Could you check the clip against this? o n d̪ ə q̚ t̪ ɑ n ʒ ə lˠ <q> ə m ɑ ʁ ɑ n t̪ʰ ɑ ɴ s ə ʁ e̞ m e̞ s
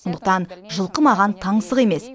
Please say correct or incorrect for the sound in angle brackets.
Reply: correct